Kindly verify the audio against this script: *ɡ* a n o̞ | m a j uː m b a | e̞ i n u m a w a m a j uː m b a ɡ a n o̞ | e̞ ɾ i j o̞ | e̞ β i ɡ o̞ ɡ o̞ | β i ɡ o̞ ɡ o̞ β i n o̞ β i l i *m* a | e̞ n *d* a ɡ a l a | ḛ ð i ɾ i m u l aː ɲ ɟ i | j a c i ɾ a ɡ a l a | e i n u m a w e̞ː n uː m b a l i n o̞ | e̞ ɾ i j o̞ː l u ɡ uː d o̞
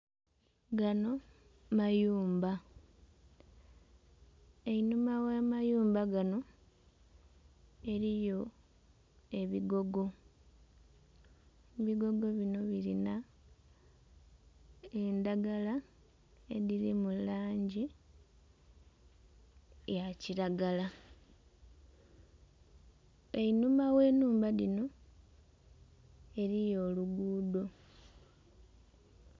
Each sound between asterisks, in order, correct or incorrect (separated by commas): correct, incorrect, correct